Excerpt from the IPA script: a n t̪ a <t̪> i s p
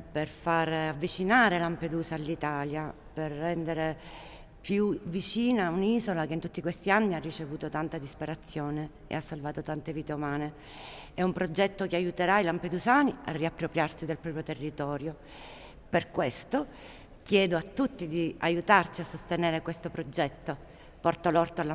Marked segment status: incorrect: d̪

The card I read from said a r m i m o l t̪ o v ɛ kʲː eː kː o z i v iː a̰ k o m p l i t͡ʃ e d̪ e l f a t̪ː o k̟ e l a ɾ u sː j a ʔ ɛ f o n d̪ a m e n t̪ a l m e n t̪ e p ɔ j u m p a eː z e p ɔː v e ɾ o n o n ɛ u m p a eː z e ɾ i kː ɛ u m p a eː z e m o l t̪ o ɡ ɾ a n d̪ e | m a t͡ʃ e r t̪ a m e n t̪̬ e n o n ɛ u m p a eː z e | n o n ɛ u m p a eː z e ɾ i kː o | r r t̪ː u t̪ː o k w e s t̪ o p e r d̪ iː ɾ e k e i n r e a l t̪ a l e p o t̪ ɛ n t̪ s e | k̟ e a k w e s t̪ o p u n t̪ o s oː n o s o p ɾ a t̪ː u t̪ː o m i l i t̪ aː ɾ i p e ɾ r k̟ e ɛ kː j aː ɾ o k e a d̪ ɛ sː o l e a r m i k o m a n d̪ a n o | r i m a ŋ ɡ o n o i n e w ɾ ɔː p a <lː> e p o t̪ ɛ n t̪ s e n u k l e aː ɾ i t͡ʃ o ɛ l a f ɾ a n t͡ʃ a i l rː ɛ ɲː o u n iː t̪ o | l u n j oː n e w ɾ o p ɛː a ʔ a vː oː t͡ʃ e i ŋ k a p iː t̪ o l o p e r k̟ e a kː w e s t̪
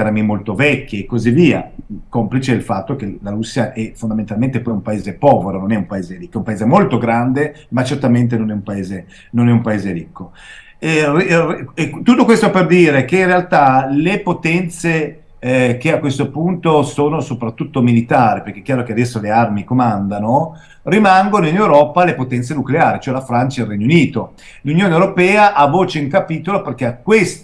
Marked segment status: incorrect: l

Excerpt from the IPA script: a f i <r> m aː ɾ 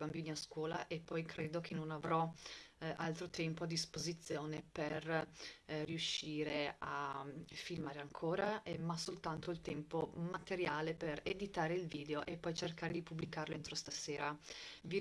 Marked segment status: incorrect: l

